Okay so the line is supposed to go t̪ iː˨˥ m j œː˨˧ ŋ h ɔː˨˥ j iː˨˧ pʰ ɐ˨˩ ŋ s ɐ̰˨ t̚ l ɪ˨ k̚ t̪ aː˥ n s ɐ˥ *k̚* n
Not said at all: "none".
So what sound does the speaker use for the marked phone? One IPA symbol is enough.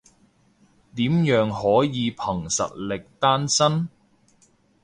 none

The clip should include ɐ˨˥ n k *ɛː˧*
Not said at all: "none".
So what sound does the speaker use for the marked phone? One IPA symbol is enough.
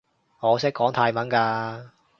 aː˧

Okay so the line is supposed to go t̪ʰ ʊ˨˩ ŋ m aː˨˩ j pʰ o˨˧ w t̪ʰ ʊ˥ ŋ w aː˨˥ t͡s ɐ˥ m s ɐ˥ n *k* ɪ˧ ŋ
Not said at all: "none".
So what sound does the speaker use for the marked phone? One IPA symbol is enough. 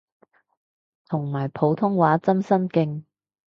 k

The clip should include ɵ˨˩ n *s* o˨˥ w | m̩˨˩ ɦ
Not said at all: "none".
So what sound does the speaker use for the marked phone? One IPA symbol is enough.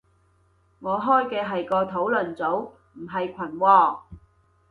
t͡s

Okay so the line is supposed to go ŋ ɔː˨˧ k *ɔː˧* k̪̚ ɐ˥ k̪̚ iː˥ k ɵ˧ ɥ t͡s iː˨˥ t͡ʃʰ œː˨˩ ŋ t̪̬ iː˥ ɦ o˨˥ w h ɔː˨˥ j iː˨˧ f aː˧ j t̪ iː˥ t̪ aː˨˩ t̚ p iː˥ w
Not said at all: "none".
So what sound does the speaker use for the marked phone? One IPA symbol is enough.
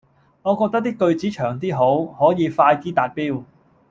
ɔː˧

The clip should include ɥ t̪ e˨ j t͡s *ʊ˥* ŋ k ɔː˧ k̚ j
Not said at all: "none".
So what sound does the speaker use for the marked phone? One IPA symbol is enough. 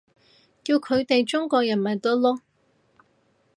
ʊ˥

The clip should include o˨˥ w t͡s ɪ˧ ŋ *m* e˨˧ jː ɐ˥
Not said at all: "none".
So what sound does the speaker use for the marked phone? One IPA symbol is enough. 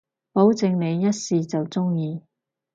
n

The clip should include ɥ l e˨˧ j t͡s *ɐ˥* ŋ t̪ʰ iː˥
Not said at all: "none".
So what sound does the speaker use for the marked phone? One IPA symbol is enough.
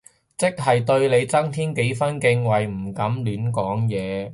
ɐ˥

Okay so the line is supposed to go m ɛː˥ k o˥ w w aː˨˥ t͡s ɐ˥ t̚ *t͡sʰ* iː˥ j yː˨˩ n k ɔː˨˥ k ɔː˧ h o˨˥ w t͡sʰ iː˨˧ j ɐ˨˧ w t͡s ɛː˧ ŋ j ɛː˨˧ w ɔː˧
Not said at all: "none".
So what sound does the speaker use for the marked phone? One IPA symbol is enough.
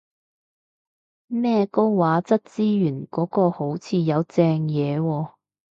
t͡s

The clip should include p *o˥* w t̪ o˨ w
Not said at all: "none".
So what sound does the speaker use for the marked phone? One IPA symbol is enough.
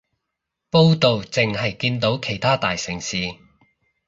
o˥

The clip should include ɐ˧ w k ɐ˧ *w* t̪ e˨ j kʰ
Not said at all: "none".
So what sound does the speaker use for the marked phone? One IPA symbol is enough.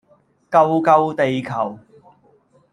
w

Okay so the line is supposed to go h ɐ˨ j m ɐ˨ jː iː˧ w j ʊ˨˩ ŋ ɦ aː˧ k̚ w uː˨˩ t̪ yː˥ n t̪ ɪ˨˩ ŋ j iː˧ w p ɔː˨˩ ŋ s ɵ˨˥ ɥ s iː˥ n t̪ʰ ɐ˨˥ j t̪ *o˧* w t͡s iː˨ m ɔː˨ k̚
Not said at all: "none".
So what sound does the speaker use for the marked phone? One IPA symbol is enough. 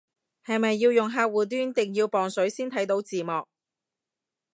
o˨˥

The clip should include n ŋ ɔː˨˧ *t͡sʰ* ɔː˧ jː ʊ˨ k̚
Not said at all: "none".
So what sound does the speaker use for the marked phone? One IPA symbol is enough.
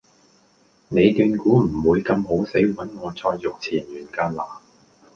t͡sʰ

